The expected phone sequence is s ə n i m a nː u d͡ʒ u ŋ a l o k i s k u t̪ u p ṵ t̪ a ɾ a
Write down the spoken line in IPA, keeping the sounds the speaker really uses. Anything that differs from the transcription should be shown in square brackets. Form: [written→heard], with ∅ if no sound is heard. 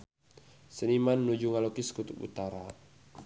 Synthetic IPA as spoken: s ə n i m a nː u d͡ʒ u ŋ a l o k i s k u t̪ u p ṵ t̪ a ɾ a